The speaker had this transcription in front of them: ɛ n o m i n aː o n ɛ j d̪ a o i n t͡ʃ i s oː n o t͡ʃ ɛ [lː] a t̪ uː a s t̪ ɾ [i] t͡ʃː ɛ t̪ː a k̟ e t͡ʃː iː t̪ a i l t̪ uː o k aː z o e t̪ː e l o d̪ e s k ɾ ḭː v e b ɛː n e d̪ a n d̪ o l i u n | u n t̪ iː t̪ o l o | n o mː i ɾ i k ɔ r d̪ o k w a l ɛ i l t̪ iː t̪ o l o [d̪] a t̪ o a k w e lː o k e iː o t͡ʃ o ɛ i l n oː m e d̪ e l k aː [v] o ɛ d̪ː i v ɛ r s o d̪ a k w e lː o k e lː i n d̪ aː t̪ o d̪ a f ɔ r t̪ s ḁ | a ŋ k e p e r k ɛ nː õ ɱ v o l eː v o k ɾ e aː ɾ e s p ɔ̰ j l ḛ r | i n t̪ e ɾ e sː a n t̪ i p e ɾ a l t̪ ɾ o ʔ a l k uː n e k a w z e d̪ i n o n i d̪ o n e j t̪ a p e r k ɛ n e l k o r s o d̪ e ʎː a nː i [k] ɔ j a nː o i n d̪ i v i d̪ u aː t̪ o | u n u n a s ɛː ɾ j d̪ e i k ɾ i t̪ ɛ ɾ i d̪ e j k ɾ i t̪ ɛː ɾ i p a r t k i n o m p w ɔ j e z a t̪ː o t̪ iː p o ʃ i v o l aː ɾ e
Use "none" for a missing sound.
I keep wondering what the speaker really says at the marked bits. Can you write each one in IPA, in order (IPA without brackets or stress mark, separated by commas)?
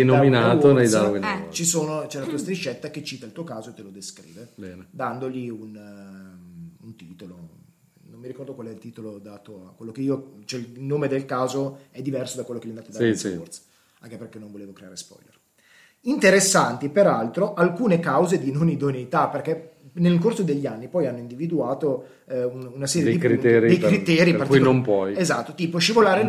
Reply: l, i, d̪, z, p